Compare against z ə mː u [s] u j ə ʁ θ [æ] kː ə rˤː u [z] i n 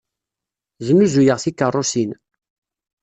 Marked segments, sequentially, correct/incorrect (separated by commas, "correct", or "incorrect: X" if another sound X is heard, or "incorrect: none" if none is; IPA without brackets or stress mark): incorrect: z, incorrect: i, incorrect: s